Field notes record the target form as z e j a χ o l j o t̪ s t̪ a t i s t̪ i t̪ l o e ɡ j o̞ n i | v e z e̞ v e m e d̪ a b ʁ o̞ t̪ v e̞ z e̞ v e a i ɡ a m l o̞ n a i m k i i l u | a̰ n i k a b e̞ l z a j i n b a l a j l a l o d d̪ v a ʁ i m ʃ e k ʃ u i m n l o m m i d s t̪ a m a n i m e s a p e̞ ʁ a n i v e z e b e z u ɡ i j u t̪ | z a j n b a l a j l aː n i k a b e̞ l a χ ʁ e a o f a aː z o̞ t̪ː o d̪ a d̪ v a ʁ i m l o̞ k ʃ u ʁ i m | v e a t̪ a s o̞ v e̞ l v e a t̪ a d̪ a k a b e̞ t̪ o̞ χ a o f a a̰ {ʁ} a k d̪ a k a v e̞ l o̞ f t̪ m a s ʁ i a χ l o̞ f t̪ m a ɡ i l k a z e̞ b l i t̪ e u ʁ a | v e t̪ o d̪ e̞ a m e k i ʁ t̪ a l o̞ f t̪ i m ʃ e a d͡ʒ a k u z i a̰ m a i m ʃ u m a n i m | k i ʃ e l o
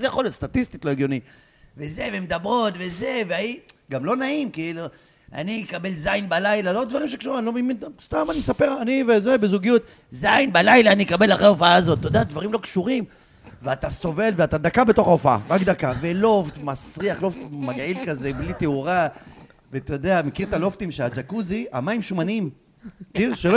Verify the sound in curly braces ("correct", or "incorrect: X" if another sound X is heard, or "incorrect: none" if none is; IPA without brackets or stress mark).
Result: correct